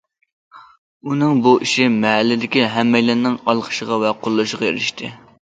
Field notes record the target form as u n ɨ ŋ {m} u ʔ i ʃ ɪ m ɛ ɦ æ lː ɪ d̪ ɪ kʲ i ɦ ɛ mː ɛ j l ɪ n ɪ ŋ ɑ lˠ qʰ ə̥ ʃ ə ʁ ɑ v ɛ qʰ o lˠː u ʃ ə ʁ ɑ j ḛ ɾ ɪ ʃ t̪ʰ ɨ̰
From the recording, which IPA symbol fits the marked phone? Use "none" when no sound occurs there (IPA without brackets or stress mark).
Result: b